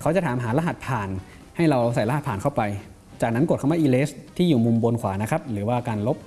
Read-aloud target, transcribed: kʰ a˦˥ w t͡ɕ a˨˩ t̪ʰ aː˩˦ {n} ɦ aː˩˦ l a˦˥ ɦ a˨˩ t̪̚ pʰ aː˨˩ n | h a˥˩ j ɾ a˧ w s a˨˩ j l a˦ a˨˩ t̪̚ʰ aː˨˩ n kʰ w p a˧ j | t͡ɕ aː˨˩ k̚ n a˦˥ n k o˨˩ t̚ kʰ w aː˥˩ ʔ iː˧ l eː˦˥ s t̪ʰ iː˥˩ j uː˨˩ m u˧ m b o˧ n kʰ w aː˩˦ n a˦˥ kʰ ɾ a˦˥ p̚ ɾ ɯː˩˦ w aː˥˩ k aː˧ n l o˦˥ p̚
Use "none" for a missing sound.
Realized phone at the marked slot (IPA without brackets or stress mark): m